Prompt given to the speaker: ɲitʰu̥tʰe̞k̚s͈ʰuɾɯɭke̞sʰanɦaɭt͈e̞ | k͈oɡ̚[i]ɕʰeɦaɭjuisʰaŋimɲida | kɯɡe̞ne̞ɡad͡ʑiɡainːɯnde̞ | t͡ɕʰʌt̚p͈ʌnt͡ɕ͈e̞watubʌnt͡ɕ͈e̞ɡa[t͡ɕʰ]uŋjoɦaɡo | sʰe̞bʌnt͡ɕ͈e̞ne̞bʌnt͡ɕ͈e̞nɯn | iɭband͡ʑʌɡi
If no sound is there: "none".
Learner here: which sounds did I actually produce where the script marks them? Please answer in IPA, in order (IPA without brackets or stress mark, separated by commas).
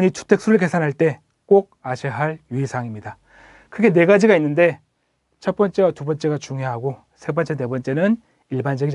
a, t͡ɕ